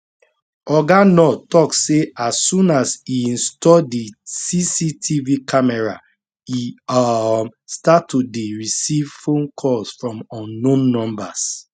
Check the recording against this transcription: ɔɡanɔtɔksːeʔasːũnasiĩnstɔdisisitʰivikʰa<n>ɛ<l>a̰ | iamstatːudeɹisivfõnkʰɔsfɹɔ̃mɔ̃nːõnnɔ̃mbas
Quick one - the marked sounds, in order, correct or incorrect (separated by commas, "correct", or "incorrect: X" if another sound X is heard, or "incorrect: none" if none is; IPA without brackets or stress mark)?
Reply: incorrect: m, incorrect: ɹ